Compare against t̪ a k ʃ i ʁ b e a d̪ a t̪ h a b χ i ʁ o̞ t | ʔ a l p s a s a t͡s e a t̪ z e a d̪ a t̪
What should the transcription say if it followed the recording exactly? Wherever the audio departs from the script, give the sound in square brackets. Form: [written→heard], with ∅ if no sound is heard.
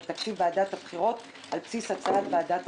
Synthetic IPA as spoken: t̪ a k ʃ i [ʁ→v] b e a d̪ a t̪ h a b χ i ʁ o̞ t | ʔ a l p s [a→i] s a t͡s [e→a] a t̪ [z→v] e a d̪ a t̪